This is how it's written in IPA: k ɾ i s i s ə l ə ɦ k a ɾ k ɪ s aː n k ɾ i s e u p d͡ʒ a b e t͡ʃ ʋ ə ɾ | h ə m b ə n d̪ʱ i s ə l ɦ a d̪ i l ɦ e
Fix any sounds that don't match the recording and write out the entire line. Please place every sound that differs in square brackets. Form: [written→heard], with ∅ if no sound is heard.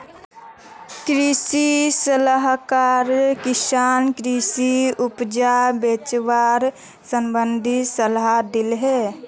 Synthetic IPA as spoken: k ɾ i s i s ə l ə ɦ k a ɾ k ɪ s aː n k ɾ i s [e→i] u p d͡ʒ a b e t͡ʃ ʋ [ə→a] ɾ | [h→s] ə m b ə n d̪ʱ i s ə l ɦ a d̪ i l ɦ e